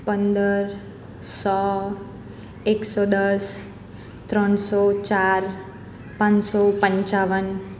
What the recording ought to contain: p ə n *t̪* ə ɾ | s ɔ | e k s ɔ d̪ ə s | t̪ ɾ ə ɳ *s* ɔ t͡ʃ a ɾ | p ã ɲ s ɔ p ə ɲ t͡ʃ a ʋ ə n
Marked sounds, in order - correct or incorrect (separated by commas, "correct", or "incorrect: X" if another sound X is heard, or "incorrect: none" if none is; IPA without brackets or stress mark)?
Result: incorrect: d̪, correct